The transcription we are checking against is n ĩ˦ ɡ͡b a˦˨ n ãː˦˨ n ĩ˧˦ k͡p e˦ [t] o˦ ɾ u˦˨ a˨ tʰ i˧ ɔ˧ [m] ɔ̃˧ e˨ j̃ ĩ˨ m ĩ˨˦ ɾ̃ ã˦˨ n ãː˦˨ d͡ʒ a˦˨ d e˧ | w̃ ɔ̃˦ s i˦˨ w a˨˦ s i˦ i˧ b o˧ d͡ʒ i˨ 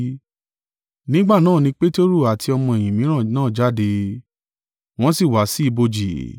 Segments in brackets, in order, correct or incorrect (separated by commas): correct, correct